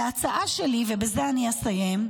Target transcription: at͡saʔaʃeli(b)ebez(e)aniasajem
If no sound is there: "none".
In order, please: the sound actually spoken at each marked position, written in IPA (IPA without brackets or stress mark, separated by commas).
v, e